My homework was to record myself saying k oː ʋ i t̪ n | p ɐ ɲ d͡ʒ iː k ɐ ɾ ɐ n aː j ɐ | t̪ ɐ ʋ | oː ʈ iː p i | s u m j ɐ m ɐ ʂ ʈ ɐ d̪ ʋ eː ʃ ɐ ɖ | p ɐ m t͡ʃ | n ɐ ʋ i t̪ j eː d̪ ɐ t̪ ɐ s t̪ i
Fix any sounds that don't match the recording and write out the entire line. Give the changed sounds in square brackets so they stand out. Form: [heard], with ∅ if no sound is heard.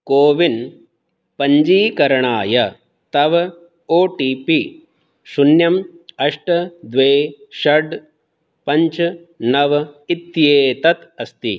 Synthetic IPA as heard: k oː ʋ i [∅] n | p ɐ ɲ d͡ʒ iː k ɐ ɾ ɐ [ɳ] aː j ɐ | t̪ ɐ ʋ | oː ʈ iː p i | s u [n] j ɐ m ɐ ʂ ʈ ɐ d̪ ʋ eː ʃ ɐ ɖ | p ɐ [ɲ] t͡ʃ | n ɐ ʋ i t̪ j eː [t̪] ɐ t̪ ɐ s t̪ i